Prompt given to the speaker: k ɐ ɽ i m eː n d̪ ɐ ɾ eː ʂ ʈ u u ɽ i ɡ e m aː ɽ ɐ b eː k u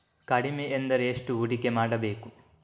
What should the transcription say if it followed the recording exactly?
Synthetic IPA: k ɐ ɽ i m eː n d̪ ɐ ɾ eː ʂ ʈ u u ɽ i k e m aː ɽ ɐ b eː k u

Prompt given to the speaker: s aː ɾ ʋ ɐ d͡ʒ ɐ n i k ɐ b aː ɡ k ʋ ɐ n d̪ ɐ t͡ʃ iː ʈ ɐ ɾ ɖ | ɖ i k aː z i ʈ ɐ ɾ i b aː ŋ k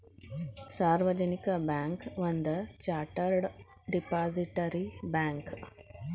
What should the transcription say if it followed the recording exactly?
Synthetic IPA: s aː ɾ ʋ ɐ d͡ʒ ɐ n i k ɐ b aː ŋ k ʋ ɐ n d̪ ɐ t͡ʃ aː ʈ ɐ ɾ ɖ | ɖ i p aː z i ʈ ɐ ɾ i b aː ŋ k

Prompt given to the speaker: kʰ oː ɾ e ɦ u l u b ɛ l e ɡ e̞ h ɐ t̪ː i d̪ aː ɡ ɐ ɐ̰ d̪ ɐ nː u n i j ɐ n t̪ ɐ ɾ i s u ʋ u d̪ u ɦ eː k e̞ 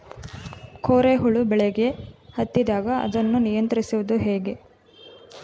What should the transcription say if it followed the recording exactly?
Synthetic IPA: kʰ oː ɾ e ɦ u ɭ u b ɛ ɭ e ɡ e̞ h ɐ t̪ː i d̪ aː ɡ ɐ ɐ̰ d̪ ɐ nː u n i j ɐ n t̪ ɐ ɾ i s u ʋ u d̪ u ɦ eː ɡ e̞

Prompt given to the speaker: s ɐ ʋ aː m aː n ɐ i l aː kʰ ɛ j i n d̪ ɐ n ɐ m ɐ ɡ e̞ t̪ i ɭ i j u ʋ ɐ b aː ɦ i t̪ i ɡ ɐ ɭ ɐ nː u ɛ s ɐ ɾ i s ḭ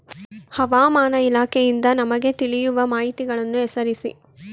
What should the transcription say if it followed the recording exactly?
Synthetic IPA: h ɐ ʋ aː m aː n ɐ i l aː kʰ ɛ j i n d̪ ɐ n ɐ m ɐ ɡ e̞ t̪ i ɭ i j u ʋ ɐ m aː ɦ i t̪ i ɡ ɐ ɭ ɐ nː u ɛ s ɐ ɾ i s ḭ

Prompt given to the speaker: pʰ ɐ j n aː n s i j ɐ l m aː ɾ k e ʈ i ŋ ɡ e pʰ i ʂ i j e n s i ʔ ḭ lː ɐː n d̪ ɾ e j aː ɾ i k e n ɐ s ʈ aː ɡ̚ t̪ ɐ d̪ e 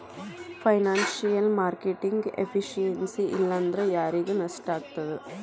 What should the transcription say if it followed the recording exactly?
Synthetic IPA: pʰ ɐ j n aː n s i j ɐ l m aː ɾ k e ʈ i ŋ ɡ e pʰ i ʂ i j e n s i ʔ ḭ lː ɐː n d̪ ɾ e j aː ɾ i ɡ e n ɐ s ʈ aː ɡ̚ t̪ ɐ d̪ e

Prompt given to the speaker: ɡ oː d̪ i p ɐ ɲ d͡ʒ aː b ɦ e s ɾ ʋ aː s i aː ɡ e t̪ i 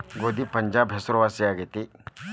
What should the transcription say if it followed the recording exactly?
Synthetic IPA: ɡ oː d̪ i p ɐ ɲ d͡ʒ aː b ɦ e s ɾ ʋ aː s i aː ɡ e t̪ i

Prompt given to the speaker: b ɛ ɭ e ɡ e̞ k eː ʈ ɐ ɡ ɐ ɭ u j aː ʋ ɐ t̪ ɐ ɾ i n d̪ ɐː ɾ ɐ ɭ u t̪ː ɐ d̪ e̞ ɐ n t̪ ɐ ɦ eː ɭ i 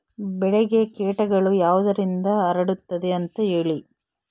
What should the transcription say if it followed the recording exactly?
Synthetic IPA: b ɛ ɭ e ɡ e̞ k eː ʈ ɐ ɡ ɐ ɭ u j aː ʋ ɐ d̪ ɐ ɾ i n d̪ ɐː ɾ ɐ ɽ u t̪ː ɐ d̪ e̞ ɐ n t̪ ɐ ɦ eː ɭ i

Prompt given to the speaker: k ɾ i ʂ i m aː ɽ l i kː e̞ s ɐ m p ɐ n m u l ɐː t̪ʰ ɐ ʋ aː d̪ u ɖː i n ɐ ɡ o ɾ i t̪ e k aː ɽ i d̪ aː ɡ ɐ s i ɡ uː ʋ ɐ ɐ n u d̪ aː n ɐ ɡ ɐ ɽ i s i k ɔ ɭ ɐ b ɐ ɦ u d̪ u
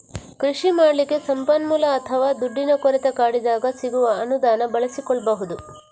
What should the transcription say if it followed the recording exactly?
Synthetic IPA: k ɾ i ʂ i m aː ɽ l i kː e̞ s ɐ m p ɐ n m u l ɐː t̪ʰ ɐ ʋ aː d̪ u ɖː i n ɐ k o ɾ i t̪ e k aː ɽ i d̪ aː ɡ ɐ s i ɡ u ʋ ɐ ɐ n u d̪ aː n ɐ b ɐ ɭ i s i k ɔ ɭ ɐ b ɐ ɦ u d̪ u

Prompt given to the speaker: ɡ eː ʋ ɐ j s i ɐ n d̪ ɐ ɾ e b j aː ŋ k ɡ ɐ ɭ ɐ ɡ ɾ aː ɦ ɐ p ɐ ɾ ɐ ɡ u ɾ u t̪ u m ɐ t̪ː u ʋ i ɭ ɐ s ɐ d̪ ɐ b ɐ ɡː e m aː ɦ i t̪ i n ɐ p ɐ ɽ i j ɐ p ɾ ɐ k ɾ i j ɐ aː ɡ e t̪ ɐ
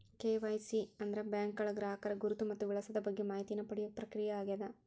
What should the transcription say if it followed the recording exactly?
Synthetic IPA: k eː ʋ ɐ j s i ɐ n d̪ ɐ ɾ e b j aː ŋ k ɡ ɐ ɭ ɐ ɡ ɾ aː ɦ ɐ k ɐ ɾ ɐ ɡ u ɾ u t̪ u m ɐ t̪ː u ʋ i ɭ ɐ s ɐ d̪ ɐ b ɐ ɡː e m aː ɦ i t̪ i n ɐ p ɐ ɽ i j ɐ p ɾ ɐ k ɾ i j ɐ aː ɡ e d̪ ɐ

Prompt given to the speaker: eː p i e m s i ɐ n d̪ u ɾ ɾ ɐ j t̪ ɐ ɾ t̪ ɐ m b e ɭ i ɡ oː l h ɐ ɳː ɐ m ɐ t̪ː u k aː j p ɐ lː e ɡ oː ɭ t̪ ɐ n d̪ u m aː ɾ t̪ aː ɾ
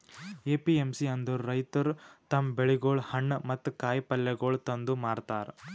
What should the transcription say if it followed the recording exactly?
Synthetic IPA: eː p i e m s i ɐ n d̪ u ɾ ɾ ɐ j t̪ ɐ ɾ t̪ ɐ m b e ɭ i ɡ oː ɭ h ɐ ɳː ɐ m ɐ t̪ː u k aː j p ɐ lː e ɡ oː ɭ t̪ ɐ n d̪ u m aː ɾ t̪ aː ɾ

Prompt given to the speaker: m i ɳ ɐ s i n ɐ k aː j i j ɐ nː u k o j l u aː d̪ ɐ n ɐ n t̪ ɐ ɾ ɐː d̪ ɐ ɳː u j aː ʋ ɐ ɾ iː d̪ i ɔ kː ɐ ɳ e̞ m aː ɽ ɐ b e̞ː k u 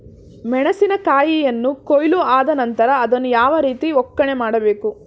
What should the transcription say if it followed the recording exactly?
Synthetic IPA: m ɛ ɳ ɐ s i n ɐ k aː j i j ɐ nː u k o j l u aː d̪ ɐ n ɐ n t̪ ɐ ɾ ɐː d̪ ɐ nː u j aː ʋ ɐ ɾ iː t̪ i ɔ kː ɐ ɳ e̞ m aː ɽ ɐ b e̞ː k u

